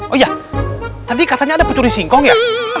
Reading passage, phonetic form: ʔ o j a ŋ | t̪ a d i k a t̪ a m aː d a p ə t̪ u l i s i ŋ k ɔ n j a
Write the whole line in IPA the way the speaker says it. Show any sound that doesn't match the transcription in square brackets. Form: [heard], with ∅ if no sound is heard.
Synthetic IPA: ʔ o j a [∅] | t̪ a d i k a t̪ a [ɲ] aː d a p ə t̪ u [ɾ] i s i ŋ k ɔ [ŋ] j a